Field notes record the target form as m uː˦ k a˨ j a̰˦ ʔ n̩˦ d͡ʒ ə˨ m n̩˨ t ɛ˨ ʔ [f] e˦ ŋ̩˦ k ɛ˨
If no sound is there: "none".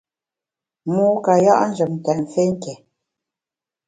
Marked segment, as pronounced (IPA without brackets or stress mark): f